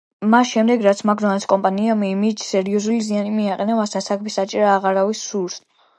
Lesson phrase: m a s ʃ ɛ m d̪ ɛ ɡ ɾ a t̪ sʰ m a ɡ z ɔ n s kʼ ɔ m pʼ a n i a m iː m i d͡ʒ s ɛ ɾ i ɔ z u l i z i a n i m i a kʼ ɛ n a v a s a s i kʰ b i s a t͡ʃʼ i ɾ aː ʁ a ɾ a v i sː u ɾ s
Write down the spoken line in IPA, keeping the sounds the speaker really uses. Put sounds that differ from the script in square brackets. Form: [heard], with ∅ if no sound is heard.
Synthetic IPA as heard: m a s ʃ ɛ m d̪ ɛ ɡ ɾ a t̪ sʰ m a ɡ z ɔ n s kʼ ɔ m pʼ a n i a m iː m i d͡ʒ s ɛ ɾ i ɔ z u l i z i a n i m i a [qʼ] ɛ n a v a s a s [a] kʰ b i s a t͡ʃʼ i ɾ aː ʁ a ɾ a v i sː u ɾ s

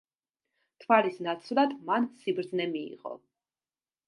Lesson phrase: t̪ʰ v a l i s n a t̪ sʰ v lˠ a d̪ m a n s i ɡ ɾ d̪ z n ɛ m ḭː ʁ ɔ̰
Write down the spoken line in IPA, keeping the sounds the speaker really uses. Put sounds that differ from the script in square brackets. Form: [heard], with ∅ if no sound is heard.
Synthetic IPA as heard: t̪ʰ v a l i s n a t̪ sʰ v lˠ a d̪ m a n s i [b] ɾ d̪ z n ɛ m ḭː ʁ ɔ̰

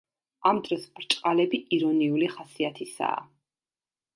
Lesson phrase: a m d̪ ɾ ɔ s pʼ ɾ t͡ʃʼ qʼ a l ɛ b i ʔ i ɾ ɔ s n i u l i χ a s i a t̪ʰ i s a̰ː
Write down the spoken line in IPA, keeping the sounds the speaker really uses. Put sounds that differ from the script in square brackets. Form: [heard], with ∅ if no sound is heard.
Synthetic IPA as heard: a m d̪ ɾ ɔ s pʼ ɾ t͡ʃʼ qʼ a l ɛ b i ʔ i ɾ ɔ [∅] n i u l i χ a s i a t̪ʰ i s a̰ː

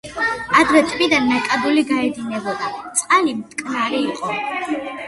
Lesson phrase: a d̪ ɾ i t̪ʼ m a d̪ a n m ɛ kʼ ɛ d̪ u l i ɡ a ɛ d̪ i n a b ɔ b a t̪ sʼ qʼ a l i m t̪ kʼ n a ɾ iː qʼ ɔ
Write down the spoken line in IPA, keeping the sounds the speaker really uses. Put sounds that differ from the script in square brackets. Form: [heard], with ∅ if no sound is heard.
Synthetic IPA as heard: a d̪ ɾ [ɛ] t̪ʼ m [i] d̪ a n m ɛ kʼ [a] d̪ u l i ɡ a ɛ d̪ i n [ɛ] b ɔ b a t̪ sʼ qʼ a l i m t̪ kʼ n a ɾ iː qʼ ɔ

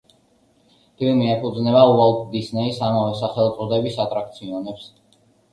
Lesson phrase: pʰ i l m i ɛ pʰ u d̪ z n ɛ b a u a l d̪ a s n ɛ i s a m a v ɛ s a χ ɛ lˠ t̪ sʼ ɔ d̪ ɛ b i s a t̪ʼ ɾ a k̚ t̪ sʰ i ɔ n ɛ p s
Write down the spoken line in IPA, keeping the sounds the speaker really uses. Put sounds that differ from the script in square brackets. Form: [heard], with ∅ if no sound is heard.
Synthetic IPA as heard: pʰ i l m i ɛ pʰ u d̪ z n ɛ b a u a l d̪ [i] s n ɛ i s a m a v ɛ s a χ ɛ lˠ t̪ sʼ ɔ d̪ ɛ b i s a t̪ʼ ɾ a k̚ t̪ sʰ i ɔ n ɛ p s

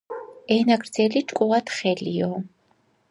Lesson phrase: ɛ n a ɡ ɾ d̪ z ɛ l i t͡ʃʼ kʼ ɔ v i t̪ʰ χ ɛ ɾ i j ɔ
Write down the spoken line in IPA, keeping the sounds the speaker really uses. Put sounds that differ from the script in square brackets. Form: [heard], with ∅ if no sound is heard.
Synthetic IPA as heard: ɛ n a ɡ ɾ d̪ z ɛ l i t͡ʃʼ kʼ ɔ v [a] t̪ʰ χ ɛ [l] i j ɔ

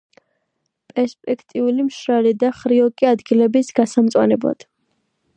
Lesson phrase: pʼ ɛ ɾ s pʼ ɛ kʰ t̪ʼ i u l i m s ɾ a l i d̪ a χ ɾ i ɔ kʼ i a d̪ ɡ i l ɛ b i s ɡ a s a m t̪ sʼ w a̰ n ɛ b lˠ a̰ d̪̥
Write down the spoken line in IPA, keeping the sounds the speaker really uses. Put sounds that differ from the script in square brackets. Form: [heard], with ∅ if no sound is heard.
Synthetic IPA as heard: pʼ ɛ ɾ s pʼ ɛ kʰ t̪ʼ i u l i m [ʃ] ɾ a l i d̪ a χ ɾ i ɔ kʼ i a d̪ ɡ i l ɛ b i s ɡ a s a m t̪ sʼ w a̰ n ɛ b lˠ a̰ d̪̥

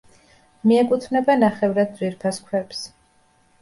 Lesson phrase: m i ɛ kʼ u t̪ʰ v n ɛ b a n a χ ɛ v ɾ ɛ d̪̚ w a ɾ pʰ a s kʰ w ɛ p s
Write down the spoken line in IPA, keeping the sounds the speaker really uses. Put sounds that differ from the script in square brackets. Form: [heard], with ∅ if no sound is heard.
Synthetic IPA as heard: m i ɛ kʼ u t̪ʰ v n ɛ b a n a χ ɛ v ɾ [a] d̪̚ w [i] ɾ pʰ a s kʰ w ɛ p s

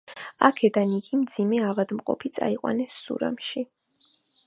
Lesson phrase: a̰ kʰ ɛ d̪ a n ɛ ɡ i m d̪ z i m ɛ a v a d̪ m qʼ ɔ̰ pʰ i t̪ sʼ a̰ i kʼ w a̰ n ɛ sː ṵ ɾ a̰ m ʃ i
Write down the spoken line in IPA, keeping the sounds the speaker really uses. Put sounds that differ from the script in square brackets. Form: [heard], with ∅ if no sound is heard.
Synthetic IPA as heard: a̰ kʰ ɛ d̪ a n [i] ɡ i m d̪ z i m ɛ a v a d̪ m qʼ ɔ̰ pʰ i t̪ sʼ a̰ i [qʼ] w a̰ n ɛ sː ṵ ɾ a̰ m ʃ i

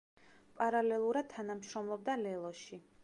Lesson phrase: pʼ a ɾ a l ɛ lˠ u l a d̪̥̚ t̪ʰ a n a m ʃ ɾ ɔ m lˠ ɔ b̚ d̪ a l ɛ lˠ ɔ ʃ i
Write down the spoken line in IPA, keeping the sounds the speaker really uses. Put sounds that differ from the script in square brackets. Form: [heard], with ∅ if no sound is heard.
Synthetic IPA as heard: pʼ a ɾ a l ɛ lˠ u [ɾ] a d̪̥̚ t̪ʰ a n a m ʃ ɾ ɔ m lˠ ɔ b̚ d̪ a l ɛ lˠ ɔ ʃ i

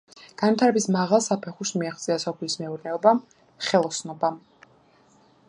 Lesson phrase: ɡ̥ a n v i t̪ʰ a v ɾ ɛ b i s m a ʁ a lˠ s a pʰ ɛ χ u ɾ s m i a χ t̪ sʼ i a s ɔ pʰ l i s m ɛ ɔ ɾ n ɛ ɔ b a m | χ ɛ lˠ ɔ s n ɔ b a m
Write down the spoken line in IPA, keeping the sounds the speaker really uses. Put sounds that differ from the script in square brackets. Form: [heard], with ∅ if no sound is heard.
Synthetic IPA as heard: ɡ̥ a n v i t̪ʰ a [∅] ɾ ɛ b i s m a ʁ a lˠ s a pʰ ɛ χ u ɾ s m i a χ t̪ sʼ i a s ɔ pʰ l i s m ɛ [u] ɾ n ɛ ɔ b a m | χ ɛ lˠ ɔ s n ɔ b a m

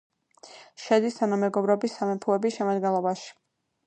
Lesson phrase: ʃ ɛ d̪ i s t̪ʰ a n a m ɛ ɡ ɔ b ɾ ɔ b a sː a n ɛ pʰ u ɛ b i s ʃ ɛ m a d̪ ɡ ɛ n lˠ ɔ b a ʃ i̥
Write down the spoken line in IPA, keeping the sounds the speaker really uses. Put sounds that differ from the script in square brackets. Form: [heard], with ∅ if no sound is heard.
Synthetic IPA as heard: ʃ ɛ d̪ i s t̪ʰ a n a m ɛ ɡ ɔ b ɾ ɔ b [i] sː a [m] ɛ pʰ u ɛ b i s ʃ ɛ m a d̪ ɡ ɛ n lˠ ɔ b a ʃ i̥

